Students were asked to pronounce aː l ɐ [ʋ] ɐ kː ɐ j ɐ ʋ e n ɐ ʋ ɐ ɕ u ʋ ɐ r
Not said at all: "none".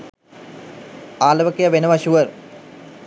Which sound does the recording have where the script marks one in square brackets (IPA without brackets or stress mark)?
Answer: ʋ